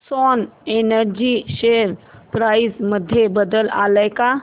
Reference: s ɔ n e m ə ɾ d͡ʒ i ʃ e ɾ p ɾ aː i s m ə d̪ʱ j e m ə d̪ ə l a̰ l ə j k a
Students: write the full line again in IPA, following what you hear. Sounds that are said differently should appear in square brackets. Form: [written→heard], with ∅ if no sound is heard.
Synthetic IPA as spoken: s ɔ n e [m→n] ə ɾ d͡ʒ i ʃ e ɾ p ɾ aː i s m ə d̪ʱ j e [m→b] ə d̪ ə l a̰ l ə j k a

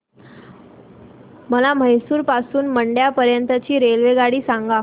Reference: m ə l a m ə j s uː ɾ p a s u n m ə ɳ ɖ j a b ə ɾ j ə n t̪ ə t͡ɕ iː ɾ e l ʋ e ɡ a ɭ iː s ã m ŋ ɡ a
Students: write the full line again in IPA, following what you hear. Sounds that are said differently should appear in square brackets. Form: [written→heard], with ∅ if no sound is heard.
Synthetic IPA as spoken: m ə l a m ə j s uː ɾ p a s [u→uː] n m ə ɳ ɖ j a [b→p] ə ɾ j ə n t̪ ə t͡ɕ iː ɾ e l ʋ e ɡ a [ɭ→ɽ] iː s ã [m→∅] ŋ ɡ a

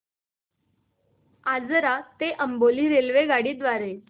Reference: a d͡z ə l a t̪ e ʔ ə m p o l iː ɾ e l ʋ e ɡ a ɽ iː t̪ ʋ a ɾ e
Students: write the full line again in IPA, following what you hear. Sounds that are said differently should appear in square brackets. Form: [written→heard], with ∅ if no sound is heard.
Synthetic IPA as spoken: a d͡z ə [l→ɾ] a t̪ e ʔ ə m [p→b] o l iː ɾ e l ʋ e ɡ a ɽ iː [t̪→d̪] ʋ a ɾ e

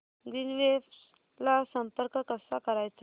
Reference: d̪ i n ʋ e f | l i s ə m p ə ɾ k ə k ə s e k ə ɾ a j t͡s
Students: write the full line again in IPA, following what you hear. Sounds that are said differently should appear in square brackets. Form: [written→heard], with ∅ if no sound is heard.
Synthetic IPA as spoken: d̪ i n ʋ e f | l [i→a] s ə m p ə ɾ k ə k ə s [e→a] k ə ɾ a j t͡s

